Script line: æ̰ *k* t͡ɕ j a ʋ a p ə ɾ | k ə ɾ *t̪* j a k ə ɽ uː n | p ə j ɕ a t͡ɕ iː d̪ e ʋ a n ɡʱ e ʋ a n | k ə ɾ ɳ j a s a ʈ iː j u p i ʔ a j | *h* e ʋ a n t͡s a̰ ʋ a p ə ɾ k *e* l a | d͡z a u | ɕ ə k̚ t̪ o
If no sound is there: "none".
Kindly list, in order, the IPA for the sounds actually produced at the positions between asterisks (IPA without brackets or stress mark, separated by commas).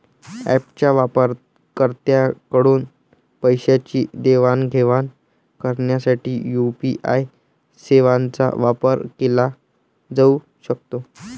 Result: p, t̪, s, e